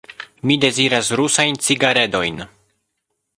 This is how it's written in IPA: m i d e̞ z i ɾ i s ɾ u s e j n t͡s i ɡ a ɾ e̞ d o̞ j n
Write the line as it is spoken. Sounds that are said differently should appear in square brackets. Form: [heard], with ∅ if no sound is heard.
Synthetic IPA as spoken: m i d e̞ z i ɾ [a] s ɾ u s [a] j n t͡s i ɡ a ɾ e̞ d o̞ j n